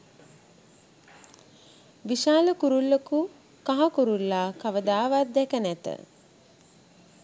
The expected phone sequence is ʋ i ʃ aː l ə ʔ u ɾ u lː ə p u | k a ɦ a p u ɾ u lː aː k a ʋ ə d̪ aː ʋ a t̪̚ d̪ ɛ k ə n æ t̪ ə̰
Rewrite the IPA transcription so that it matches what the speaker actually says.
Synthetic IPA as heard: ʋ i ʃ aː l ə k u ɾ u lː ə k u | k a ɦ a k u ɾ u lː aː k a ʋ ə d̪ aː ʋ a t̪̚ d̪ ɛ k ə n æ t̪ ə̰